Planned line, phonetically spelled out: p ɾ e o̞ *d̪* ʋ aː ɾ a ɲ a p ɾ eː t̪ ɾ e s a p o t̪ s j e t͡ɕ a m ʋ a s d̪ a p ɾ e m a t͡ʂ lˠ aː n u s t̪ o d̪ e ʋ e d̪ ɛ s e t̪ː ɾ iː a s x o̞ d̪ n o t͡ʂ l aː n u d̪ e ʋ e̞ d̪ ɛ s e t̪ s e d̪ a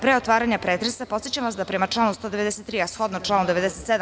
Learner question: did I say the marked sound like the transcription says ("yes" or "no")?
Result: no